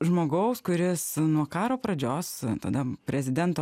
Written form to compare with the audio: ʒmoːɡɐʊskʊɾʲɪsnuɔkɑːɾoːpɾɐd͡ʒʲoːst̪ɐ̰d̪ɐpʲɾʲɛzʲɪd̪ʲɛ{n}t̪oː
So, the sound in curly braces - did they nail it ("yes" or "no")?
yes